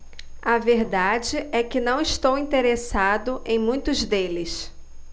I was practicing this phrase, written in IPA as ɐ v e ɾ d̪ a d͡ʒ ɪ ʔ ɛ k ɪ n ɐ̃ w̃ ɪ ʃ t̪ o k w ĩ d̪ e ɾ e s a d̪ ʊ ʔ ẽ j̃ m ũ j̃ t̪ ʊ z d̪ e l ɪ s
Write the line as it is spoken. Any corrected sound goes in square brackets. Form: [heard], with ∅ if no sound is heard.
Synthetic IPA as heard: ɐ v e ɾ d̪ a d͡ʒ ɪ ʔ ɛ k ɪ n ɐ̃ w̃ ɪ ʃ t̪ o [∅] w ĩ [t̪] e ɾ e s a d̪ ʊ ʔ ẽ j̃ m ũ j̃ t̪ ʊ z d̪ e l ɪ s